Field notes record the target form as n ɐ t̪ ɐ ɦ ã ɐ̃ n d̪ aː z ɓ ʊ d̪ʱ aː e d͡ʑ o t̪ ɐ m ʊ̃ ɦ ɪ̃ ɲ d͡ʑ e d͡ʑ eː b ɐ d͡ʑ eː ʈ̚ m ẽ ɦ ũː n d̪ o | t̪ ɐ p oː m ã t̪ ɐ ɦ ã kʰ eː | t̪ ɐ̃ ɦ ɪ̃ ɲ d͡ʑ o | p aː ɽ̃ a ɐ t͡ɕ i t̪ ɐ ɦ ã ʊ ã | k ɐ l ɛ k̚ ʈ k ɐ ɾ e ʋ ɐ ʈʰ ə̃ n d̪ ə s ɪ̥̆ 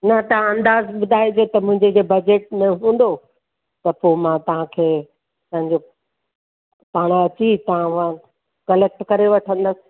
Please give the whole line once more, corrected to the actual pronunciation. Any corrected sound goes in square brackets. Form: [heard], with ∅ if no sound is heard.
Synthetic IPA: n ɐ t̪ ɐ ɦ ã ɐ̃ n d̪ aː z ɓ ʊ d̪ʱ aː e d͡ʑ o t̪ ɐ m ʊ̃ ɦ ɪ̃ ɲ d͡ʑ e d͡ʑ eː b ɐ d͡ʑ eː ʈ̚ m ẽ ɦ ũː n d̪ o | t̪ ɐ p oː m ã t̪ ɐ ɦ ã kʰ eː | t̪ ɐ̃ ɦ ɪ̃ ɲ d͡ʑ o | p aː ɽ̃ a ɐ t͡ɕ i t̪ ɐ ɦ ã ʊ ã | k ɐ l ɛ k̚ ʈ k ɐ ɾ e ʋ ɐ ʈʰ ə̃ n d̪ ə s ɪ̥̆